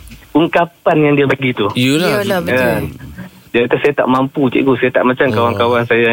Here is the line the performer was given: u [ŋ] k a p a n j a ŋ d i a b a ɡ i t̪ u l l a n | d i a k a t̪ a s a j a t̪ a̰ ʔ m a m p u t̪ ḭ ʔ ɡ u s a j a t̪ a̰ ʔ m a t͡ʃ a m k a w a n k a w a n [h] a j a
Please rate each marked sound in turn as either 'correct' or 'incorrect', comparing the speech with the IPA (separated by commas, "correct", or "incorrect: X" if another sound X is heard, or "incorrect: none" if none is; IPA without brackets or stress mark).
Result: correct, incorrect: s